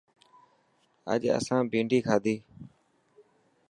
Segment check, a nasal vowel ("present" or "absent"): present